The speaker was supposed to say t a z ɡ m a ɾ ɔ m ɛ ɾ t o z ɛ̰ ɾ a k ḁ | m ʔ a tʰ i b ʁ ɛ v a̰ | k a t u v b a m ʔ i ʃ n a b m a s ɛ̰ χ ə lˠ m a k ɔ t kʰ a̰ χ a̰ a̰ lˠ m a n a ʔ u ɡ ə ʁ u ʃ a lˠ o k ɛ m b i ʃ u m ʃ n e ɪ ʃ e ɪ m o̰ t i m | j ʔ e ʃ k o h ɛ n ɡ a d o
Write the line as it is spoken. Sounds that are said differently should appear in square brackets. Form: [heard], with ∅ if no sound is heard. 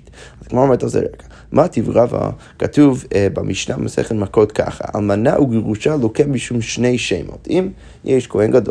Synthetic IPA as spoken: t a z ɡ m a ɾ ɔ m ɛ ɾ t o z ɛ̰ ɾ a k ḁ | m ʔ a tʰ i [v] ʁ [a] v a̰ | k a t u v b a m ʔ i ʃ n a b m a s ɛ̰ χ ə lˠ m a k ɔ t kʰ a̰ χ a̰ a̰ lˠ m a n a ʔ u ɡ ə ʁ u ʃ a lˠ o k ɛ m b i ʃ u m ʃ n e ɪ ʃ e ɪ m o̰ t i m | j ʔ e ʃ k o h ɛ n ɡ a d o